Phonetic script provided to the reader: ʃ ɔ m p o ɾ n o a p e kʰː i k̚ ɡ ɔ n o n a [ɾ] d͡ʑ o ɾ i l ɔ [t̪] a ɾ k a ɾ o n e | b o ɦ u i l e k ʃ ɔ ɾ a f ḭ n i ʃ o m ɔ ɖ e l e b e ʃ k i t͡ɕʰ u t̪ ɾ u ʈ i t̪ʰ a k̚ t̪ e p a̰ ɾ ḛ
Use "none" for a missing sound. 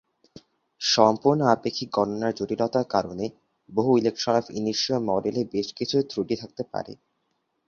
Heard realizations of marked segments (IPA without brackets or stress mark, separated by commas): ɾ, t̪